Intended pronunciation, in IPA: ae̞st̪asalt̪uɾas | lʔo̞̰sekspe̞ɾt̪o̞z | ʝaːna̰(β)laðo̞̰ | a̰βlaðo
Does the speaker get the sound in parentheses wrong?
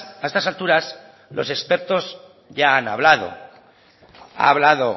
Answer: no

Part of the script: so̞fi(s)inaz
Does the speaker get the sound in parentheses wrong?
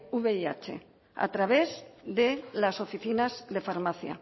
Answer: yes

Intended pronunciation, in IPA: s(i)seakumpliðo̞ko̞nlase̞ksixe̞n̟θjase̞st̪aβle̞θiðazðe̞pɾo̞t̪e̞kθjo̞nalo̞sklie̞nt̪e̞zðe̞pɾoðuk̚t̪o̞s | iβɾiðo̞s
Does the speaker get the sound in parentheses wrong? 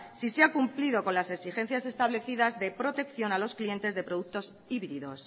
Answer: no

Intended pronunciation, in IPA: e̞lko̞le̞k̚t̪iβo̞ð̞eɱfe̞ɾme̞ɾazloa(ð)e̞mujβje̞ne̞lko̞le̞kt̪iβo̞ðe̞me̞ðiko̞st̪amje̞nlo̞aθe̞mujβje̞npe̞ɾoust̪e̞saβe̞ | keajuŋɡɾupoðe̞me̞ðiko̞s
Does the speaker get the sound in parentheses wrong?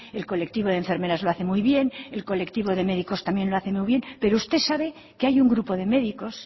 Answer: yes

